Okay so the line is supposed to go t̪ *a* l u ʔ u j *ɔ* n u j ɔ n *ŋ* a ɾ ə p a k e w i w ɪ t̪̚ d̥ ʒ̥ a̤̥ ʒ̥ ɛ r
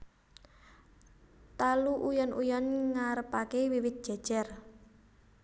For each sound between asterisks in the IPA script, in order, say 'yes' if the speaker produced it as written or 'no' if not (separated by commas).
yes, yes, yes